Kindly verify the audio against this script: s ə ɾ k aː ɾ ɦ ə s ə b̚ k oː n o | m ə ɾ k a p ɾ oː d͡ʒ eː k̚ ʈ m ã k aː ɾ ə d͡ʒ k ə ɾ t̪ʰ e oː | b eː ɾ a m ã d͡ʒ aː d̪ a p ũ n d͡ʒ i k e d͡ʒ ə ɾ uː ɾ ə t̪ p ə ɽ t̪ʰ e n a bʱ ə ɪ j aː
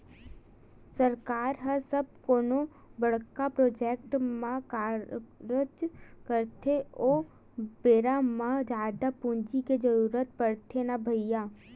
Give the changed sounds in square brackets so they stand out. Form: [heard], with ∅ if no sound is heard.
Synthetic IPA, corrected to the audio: s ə ɾ k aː ɾ ɦ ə s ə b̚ k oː n o | [b] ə [ɽ] k a p ɾ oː d͡ʒ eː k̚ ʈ m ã k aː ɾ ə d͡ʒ k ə ɾ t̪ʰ e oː | b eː ɾ a m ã d͡ʒ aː d̪ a p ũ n d͡ʒ i k e d͡ʒ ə ɾ uː ɾ ə t̪ p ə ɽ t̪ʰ e n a bʱ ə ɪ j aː

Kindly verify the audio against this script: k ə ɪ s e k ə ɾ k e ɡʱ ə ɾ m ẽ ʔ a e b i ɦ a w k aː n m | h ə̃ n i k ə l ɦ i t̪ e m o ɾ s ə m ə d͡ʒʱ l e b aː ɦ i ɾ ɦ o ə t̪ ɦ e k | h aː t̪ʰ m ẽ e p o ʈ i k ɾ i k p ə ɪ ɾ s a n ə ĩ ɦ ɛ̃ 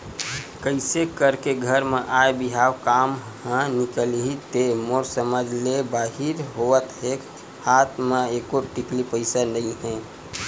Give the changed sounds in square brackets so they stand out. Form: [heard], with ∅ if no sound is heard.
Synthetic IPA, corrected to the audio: k ə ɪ s e k ə ɾ k e ɡʱ ə ɾ m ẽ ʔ a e b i ɦ a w k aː [∅] m | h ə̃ n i k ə l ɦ i t̪ e m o ɾ s ə m ə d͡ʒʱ l e b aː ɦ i ɾ ɦ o ə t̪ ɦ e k | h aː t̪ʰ m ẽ e [k] o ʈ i k [l] i [∅] p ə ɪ [∅] s a n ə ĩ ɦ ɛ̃

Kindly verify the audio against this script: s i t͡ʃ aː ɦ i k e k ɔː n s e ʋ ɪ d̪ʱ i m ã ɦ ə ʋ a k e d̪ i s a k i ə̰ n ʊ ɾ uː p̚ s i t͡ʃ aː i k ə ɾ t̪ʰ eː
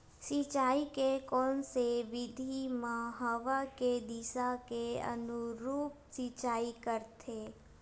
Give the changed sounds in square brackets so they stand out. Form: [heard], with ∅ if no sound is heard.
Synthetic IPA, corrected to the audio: s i t͡ʃ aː [∅] i k e k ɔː n s e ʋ ɪ d̪ʱ i m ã ɦ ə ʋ a k e d̪ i s a k [e] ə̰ n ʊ ɾ uː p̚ s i t͡ʃ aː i k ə ɾ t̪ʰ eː

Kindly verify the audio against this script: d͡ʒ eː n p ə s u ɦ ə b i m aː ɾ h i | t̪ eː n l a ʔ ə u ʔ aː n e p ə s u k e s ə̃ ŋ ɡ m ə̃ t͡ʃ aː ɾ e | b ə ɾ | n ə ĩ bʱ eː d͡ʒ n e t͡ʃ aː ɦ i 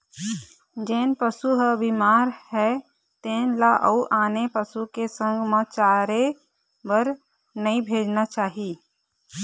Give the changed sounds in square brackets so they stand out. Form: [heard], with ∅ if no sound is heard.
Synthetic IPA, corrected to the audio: d͡ʒ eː n p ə s u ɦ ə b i m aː ɾ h [ɛ] | t̪ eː n l a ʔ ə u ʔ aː n e p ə s u k e s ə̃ ŋ ɡ m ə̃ t͡ʃ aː ɾ e | b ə ɾ | n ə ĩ bʱ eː d͡ʒ n [a] t͡ʃ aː ɦ i

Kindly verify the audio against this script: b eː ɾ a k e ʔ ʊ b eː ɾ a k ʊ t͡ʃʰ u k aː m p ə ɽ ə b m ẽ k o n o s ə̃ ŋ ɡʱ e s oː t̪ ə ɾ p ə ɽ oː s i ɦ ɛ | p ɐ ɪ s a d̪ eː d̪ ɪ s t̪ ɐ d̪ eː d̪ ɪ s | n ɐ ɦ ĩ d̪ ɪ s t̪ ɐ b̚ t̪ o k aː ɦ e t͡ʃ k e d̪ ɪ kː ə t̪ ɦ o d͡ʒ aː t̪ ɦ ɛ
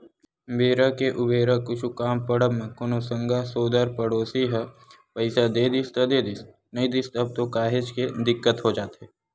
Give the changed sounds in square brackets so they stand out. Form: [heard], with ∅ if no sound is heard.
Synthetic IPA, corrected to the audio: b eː ɾ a k e ʔ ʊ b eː ɾ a k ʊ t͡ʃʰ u k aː m p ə ɽ ə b m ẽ k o n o s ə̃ ŋ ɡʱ [a] s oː [d̪] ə ɾ p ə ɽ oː s i ɦ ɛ | p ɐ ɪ s a d̪ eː d̪ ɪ s t̪ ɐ d̪ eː d̪ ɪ s | n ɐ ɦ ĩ d̪ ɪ s t̪ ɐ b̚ t̪ o k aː ɦ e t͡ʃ k e d̪ ɪ kː ə t̪ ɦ o d͡ʒ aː t̪ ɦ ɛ

